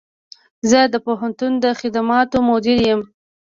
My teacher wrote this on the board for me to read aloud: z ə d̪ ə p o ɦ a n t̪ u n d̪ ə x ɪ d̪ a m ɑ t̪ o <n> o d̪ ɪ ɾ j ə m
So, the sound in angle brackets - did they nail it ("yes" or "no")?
no